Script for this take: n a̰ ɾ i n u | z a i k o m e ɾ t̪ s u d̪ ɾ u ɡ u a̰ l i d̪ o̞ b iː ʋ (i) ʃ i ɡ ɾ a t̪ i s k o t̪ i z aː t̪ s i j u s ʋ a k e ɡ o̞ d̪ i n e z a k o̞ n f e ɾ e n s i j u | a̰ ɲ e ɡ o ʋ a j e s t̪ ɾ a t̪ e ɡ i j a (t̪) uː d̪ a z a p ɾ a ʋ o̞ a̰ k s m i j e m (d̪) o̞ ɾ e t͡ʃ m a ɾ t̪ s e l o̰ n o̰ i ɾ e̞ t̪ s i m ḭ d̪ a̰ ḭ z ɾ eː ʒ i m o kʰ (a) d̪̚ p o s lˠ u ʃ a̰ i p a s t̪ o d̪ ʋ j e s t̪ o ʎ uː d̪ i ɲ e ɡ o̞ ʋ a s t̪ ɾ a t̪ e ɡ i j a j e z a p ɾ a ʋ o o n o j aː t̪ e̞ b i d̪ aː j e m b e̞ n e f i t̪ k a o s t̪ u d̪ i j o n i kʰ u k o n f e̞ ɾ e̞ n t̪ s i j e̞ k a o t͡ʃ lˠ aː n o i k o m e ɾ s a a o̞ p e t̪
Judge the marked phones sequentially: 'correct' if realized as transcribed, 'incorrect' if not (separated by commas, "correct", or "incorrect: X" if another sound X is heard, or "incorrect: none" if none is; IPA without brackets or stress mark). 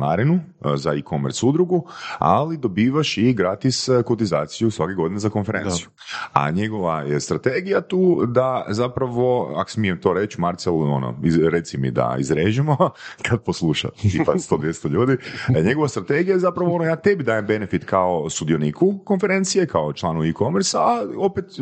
incorrect: a, correct, incorrect: t̪, correct